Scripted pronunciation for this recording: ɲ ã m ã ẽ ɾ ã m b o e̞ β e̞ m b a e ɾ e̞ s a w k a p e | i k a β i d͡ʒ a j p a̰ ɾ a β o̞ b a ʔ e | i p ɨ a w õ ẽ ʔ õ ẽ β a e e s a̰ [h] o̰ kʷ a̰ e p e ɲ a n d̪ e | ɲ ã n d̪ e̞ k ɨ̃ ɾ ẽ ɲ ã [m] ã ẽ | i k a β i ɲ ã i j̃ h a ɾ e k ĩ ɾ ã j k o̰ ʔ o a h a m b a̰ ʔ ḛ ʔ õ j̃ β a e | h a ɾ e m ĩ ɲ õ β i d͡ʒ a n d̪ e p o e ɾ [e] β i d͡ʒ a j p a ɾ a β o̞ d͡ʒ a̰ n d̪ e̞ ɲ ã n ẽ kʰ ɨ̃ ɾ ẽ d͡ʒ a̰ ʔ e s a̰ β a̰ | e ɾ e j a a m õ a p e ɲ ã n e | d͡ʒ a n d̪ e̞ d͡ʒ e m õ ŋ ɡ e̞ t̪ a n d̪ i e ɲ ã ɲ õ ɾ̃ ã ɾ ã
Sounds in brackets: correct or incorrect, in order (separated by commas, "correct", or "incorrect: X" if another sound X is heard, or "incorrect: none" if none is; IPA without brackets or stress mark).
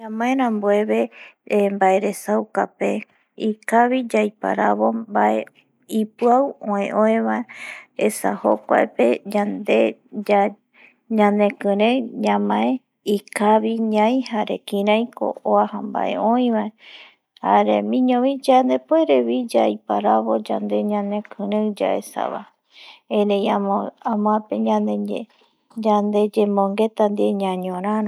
correct, correct, correct